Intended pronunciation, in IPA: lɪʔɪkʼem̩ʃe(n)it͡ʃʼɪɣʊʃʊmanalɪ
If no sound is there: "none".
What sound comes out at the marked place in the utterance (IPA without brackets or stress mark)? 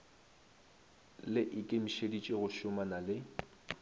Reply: d